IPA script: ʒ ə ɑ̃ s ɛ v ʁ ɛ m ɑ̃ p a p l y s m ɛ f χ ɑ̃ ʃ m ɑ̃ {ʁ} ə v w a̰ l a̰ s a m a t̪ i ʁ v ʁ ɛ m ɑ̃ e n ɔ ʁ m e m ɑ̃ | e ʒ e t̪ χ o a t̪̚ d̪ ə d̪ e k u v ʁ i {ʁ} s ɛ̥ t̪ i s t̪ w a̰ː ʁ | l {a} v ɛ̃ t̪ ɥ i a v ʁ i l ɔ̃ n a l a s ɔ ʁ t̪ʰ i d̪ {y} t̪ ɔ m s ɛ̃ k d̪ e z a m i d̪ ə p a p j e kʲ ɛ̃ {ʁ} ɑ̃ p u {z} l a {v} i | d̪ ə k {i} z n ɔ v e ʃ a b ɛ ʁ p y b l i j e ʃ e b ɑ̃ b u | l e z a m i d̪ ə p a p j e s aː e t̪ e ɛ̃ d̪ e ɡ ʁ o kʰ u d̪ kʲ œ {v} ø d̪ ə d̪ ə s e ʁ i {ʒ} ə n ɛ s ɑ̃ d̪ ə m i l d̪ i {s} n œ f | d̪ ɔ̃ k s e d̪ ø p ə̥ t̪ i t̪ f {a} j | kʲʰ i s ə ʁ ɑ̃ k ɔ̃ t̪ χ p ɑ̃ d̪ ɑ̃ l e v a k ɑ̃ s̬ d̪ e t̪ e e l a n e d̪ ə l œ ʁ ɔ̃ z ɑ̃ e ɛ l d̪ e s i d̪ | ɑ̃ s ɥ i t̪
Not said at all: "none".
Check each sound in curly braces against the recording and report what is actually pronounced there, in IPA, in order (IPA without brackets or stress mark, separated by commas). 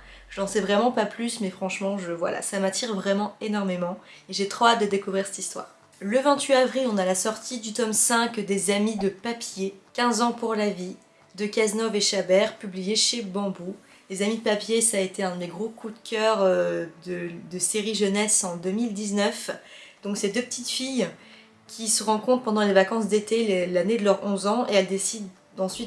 ʒ, ʁ, ə, y, z, ʁ, v, a, ʁ, ʒ, z, i